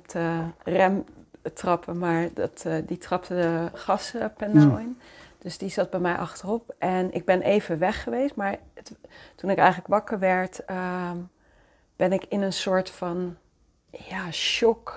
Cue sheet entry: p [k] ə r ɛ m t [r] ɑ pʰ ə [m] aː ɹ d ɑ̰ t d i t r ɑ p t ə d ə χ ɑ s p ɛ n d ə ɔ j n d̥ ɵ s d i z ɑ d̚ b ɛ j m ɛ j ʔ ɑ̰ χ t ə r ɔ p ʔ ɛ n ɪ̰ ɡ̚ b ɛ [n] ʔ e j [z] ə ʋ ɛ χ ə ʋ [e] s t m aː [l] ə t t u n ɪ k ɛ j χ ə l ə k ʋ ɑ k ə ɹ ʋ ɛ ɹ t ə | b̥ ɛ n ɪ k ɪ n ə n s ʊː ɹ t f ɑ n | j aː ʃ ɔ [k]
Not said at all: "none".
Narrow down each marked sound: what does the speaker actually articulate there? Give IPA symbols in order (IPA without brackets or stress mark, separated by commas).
t, r, m, n, v, e, ɹ, k